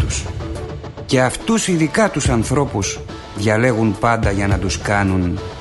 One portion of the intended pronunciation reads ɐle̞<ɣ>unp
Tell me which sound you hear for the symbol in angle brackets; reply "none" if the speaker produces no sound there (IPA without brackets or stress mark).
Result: ɣ